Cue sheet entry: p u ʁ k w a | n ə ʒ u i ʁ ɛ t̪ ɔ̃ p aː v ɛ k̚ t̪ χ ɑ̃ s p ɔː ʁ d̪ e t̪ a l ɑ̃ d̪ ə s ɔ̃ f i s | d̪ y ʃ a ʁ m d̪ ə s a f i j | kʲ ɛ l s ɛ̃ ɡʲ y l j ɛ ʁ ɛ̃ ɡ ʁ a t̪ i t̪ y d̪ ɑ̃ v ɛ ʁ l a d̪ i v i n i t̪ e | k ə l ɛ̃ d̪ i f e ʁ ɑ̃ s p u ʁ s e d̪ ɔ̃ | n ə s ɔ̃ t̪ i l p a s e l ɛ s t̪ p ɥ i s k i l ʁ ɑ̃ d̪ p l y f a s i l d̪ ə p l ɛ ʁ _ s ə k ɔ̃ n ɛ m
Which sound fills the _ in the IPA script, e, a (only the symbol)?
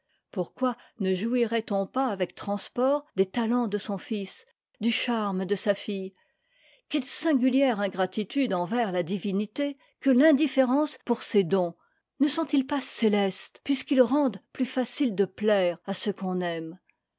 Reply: a